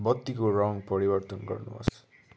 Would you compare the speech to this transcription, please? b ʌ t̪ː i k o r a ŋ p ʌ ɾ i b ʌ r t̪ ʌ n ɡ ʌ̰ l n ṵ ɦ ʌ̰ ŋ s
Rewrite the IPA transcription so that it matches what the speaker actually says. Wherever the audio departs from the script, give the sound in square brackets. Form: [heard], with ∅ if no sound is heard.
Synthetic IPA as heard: b ʌ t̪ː i k o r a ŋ p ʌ ɾ i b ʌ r t̪ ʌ n ɡ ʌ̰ [r] n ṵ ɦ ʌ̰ [∅] s